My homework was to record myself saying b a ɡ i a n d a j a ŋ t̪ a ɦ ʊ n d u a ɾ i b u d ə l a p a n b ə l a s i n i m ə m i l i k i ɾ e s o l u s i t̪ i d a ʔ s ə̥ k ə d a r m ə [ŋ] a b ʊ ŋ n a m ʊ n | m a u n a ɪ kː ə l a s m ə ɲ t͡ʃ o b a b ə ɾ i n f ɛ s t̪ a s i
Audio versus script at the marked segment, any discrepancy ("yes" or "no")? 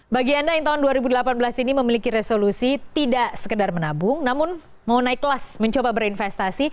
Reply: yes